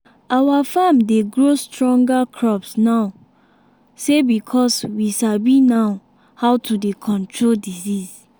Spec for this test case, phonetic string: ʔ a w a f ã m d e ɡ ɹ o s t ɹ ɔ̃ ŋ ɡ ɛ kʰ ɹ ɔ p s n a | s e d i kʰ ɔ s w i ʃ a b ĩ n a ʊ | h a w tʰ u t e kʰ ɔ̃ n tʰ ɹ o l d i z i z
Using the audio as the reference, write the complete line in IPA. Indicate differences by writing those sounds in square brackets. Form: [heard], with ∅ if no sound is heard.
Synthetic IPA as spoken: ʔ a w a f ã m d e ɡ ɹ o s t ɹ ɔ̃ ŋ ɡ [a] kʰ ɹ ɔ p s n a | s e [b] i kʰ ɔ s w i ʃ a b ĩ n a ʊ | h a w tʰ u [d] e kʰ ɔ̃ n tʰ ɹ o l d i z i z